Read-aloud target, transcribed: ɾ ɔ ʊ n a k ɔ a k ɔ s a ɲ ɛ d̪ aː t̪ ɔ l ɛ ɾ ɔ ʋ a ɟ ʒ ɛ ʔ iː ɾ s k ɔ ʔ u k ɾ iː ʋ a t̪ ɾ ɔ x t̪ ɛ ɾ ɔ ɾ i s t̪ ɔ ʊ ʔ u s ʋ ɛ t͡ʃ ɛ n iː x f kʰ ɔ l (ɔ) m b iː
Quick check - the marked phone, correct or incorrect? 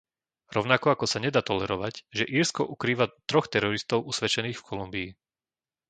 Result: incorrect